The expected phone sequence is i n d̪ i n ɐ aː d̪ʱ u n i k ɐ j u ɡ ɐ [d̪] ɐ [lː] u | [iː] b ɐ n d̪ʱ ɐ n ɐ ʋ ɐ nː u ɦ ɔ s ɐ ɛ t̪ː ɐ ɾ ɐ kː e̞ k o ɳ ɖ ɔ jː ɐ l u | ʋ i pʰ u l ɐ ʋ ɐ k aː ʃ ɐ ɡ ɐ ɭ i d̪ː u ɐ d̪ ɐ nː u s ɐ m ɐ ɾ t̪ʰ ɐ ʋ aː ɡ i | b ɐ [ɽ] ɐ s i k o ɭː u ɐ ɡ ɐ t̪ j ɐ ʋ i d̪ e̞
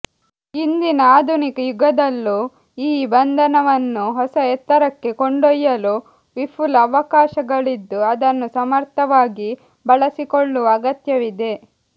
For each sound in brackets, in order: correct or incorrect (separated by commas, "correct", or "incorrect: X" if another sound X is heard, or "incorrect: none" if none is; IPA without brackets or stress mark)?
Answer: correct, correct, correct, incorrect: ɭ